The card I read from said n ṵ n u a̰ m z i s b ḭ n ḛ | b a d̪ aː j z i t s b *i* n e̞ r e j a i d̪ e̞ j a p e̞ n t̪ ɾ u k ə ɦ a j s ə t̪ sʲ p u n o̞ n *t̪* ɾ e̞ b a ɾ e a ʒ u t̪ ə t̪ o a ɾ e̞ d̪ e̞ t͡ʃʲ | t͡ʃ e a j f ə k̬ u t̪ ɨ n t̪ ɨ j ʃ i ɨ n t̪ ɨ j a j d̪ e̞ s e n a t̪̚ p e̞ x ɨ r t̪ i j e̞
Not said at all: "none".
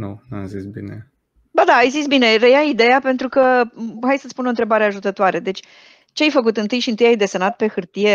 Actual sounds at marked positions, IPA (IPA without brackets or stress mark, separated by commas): i, t̪